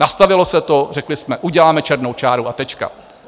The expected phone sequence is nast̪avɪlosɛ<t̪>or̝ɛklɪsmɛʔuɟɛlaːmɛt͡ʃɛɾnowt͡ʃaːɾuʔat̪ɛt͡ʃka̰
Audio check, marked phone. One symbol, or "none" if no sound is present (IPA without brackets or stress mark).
t̪